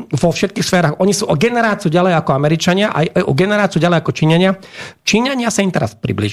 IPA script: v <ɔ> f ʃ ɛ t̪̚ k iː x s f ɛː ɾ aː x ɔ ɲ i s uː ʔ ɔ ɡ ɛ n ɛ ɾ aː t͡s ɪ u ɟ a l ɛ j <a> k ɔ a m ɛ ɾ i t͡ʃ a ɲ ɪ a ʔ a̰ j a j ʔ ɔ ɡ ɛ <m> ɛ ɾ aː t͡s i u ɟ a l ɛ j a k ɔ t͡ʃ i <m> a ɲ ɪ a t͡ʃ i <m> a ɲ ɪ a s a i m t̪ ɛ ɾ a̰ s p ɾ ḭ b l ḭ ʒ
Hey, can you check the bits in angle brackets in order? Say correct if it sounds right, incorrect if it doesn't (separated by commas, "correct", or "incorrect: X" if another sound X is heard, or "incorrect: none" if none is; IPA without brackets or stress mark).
correct, correct, incorrect: n, incorrect: ɲ, incorrect: ɲ